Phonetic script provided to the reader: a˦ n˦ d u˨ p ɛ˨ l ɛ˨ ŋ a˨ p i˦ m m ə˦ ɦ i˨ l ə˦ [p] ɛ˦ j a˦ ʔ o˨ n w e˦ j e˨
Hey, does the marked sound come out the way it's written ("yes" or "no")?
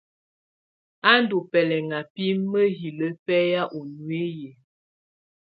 yes